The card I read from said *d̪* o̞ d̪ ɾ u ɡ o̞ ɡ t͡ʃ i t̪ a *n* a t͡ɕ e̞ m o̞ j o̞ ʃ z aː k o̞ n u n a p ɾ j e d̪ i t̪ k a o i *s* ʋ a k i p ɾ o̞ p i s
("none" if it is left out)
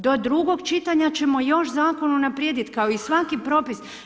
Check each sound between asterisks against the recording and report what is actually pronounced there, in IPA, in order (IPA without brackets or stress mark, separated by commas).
d̪, ɲ, s